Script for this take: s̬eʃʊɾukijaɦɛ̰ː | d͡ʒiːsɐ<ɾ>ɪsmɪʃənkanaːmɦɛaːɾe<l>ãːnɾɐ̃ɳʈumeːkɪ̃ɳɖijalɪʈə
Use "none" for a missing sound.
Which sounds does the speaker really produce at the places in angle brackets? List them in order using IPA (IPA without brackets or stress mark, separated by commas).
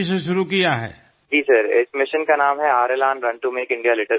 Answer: ɾ, l